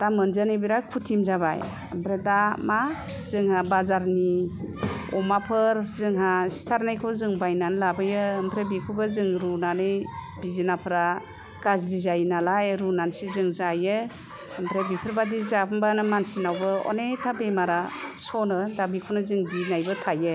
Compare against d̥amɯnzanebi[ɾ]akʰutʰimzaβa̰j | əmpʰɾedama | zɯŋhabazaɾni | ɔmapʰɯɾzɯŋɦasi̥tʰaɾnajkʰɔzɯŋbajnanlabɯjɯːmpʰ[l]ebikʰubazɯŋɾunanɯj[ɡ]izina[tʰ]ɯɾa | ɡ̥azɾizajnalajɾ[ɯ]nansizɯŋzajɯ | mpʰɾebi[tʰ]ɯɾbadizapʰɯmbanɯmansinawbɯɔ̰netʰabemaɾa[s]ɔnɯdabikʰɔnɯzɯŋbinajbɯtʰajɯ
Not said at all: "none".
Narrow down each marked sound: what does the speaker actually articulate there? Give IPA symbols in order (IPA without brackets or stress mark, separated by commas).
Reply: ɾ, ɾ, b, pʰ, u, pʰ, s